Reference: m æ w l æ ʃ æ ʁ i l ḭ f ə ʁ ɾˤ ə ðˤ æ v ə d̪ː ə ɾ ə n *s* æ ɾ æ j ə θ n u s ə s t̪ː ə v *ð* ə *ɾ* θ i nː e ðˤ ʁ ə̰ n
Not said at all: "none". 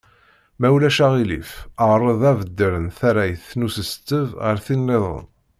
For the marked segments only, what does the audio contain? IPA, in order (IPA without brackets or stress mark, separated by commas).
θ, ʁ, ɾ